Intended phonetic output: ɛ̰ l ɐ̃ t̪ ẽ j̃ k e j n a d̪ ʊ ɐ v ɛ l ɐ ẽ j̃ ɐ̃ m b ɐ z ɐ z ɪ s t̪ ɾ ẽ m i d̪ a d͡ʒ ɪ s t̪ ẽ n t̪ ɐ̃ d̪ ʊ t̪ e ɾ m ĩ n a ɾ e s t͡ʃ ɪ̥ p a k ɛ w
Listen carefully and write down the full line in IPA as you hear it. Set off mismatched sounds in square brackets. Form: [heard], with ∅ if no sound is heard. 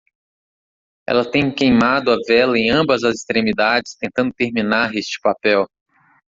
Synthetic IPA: ɛ̰ l [ɐ] t̪ ẽ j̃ k e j [m] a d̪ ʊ ɐ v ɛ l ɐ ẽ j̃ ɐ̃ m b ɐ z ɐ z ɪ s t̪ ɾ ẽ m i d̪ a d͡ʒ ɪ s t̪ ẽ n t̪ ɐ̃ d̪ ʊ t̪ e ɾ m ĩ n a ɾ e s t͡ʃ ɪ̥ p a [p] ɛ w